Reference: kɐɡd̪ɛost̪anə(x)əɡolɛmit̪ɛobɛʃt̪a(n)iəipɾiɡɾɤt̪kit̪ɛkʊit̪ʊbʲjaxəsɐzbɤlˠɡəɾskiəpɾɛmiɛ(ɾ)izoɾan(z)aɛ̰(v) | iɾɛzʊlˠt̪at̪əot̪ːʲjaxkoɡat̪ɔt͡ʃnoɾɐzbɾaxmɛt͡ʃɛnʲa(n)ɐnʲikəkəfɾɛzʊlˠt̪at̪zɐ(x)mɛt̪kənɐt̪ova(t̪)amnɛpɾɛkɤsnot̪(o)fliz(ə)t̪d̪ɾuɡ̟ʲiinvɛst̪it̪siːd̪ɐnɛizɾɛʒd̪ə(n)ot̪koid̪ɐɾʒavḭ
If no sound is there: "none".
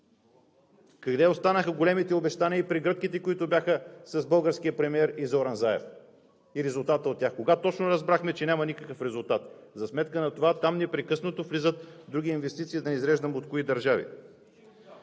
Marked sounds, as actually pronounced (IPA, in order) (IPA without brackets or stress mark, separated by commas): x, n, ɾ, z, f, m, s, t̪, o, ə, m